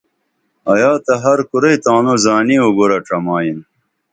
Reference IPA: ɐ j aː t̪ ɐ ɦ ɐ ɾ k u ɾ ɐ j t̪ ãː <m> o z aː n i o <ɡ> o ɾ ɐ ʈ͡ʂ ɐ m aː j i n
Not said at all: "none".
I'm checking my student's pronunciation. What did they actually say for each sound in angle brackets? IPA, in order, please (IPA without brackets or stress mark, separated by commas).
n, ɡ